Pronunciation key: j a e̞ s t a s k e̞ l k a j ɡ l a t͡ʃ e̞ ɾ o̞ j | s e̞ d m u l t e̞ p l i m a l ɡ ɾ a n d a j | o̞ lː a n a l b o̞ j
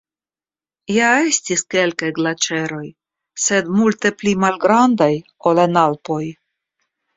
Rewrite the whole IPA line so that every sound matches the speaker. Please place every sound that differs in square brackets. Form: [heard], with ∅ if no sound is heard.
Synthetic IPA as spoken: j a e̞ s t [i] s k e̞ l k a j ɡ l a t͡ʃ e̞ ɾ o̞ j | s e̞ d m u l t e̞ p l i m a l ɡ ɾ a n d a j | o̞ [l] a n a l [p] o̞ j